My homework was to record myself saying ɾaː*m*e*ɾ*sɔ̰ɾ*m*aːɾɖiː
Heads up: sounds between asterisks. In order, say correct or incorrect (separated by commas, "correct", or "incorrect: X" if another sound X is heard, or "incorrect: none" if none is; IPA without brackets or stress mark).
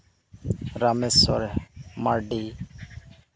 correct, incorrect: none, correct